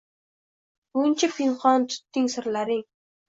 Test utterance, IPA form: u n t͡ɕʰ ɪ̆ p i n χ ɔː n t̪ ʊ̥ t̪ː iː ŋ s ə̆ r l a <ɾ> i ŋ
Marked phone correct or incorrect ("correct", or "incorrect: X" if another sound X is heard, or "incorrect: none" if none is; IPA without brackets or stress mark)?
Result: correct